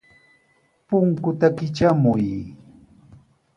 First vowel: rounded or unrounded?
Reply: rounded